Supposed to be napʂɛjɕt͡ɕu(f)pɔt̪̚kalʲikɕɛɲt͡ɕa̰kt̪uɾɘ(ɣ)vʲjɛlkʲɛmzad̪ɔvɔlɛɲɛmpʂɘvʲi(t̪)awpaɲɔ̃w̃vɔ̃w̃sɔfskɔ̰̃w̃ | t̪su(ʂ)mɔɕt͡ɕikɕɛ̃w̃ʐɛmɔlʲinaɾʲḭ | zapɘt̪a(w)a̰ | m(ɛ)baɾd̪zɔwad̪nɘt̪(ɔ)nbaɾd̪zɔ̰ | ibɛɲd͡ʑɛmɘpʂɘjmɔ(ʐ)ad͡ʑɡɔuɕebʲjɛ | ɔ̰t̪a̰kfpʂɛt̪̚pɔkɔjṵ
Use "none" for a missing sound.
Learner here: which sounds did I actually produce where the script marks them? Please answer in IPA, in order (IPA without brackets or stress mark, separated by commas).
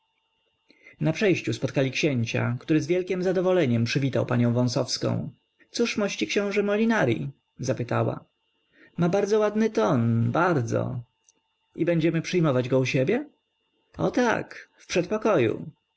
s, z, t̪, ʂ, w, a, ɔ, v